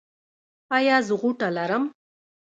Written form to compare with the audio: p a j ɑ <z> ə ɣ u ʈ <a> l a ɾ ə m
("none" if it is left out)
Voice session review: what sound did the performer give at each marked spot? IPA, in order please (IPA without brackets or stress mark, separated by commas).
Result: z, a